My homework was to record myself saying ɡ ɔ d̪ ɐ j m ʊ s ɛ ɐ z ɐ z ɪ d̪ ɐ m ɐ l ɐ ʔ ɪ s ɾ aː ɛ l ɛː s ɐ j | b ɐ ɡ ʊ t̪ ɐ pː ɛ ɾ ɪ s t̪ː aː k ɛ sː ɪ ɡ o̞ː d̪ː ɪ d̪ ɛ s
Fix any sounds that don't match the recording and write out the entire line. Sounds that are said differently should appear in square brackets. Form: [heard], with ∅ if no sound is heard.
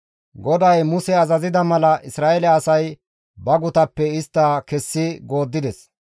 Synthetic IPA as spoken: ɡ ɔ d̪ ɐ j m ʊ s ɛ ɐ z ɐ z ɪ d̪ ɐ m ɐ l ɐ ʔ ɪ s ɾ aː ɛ l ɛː s ɐ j | b ɐ ɡ ʊ t̪ ɐ pː ɛ [∅] ɪ s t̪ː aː k ɛ sː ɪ ɡ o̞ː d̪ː ɪ d̪ ɛ s

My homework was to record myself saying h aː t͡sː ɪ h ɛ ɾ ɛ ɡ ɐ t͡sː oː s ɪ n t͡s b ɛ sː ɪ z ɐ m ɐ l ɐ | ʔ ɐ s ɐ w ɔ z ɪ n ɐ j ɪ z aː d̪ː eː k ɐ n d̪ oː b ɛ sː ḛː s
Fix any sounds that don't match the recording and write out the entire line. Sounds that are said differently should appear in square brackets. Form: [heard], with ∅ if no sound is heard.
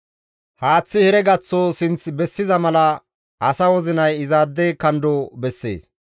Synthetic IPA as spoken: h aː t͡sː ɪ h ɛ ɾ ɛ ɡ ɐ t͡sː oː s ɪ n t͡s b ɛ sː ɪ z ɐ m ɐ l ɐ | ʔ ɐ s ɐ w ɔ z ɪ n ɐ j ɪ z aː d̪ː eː k ɐ n d̪ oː b ɛ sː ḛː s

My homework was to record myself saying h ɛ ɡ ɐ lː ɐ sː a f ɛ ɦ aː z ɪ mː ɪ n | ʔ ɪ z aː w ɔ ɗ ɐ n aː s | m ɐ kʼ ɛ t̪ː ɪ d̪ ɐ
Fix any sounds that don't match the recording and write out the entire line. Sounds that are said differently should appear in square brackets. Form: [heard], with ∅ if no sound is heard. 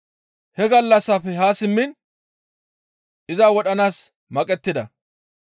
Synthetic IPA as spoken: h ɛ ɡ ɐ lː ɐ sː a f ɛ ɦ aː [s] ɪ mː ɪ n | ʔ ɪ z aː w ɔ ɗ ɐ n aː s | m ɐ kʼ ɛ t̪ː ɪ d̪ ɐ

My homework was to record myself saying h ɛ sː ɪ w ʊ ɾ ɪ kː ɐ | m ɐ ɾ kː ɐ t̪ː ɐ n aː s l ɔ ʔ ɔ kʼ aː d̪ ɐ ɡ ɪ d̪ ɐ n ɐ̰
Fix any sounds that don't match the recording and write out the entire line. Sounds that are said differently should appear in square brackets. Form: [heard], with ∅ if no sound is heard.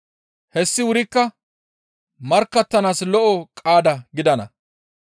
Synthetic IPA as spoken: h ɛ sː ɪ w ʊ ɾ ɪ kː ɐ | m ɐ ɾ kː ɐ t̪ː ɐ n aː s l ɔ ʔ ɔ kʼ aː d̪ ɐ ɡ ɪ d̪ ɐ n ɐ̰

